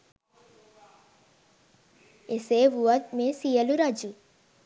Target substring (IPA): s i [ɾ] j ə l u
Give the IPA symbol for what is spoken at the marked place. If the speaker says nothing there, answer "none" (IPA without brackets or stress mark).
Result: none